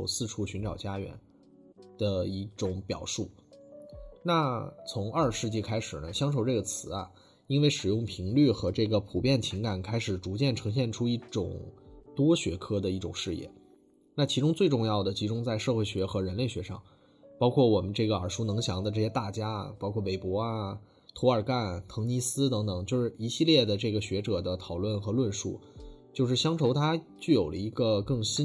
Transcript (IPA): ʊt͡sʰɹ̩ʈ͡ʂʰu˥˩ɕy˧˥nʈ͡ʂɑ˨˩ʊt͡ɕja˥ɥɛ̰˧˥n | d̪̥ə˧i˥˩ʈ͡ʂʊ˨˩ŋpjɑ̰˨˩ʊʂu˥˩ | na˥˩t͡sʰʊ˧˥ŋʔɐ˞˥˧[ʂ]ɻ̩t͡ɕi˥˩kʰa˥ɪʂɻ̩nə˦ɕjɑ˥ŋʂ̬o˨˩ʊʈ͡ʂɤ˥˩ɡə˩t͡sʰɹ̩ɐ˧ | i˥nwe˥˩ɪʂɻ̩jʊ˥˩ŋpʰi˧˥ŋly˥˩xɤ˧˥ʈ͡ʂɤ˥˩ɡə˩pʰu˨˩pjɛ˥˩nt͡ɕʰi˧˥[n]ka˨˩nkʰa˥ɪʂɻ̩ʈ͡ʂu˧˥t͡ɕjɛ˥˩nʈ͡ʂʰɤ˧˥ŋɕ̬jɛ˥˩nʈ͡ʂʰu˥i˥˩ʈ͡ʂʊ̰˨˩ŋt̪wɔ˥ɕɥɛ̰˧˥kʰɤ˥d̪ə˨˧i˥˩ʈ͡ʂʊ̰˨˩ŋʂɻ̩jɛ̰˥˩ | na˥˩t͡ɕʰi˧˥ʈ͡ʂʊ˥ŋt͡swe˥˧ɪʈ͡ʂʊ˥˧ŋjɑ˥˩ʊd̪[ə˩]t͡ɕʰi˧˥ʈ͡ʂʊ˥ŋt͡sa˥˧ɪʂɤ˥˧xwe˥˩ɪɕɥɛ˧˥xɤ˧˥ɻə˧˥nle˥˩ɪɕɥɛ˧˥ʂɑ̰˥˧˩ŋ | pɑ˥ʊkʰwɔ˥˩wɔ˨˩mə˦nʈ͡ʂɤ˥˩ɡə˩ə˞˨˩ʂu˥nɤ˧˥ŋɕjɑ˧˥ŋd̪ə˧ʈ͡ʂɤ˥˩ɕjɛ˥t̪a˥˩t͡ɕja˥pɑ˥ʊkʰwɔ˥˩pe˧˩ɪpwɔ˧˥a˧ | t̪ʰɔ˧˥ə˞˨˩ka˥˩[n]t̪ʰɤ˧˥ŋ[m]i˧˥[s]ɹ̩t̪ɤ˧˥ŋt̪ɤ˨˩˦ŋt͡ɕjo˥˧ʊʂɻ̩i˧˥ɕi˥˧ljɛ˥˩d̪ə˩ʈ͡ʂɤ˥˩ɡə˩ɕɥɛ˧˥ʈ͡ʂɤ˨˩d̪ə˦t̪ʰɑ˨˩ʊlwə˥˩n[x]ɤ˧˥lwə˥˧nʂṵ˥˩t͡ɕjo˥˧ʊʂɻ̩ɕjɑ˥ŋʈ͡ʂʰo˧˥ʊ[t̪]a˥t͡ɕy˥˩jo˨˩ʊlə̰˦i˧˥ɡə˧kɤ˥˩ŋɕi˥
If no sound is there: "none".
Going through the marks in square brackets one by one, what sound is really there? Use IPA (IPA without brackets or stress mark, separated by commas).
ʂ, ŋ, ə˩, n, n, s, x, t̪ʰ